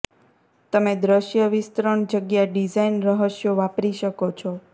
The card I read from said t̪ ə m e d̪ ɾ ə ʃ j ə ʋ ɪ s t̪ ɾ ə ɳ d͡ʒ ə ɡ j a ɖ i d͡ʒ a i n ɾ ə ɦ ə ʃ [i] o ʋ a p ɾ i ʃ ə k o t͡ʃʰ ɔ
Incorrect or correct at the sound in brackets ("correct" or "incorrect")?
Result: incorrect